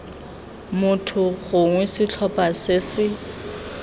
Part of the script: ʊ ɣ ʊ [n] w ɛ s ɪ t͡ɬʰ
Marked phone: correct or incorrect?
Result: incorrect: ŋ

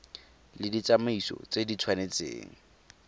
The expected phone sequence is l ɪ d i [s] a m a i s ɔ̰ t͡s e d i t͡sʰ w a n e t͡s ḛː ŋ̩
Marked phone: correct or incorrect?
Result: incorrect: t͡s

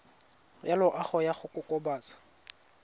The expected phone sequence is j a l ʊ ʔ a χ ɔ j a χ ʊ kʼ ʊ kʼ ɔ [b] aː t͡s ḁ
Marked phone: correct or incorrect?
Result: correct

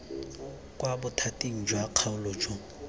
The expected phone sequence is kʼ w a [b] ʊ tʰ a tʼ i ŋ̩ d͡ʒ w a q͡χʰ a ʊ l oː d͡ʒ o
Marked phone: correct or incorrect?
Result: correct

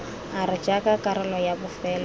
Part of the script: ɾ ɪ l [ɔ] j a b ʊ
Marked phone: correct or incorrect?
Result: correct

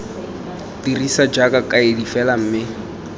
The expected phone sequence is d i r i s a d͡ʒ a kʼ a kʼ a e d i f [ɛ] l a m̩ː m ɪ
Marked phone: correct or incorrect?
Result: correct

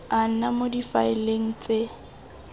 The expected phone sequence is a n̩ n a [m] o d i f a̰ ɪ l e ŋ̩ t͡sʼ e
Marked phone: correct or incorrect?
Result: correct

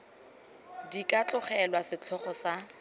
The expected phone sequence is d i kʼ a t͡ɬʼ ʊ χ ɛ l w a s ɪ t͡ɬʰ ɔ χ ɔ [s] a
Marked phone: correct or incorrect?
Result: correct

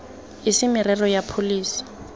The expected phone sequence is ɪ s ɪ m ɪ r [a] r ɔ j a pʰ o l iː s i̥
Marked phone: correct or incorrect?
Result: incorrect: ɛ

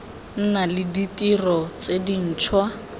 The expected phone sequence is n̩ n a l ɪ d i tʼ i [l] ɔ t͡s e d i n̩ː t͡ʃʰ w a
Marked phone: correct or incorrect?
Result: incorrect: r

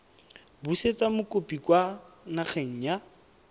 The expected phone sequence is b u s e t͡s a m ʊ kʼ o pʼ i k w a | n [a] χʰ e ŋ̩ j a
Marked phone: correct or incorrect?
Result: correct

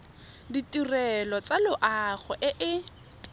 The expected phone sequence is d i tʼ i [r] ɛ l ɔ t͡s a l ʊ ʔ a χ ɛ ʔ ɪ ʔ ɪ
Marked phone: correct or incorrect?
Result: correct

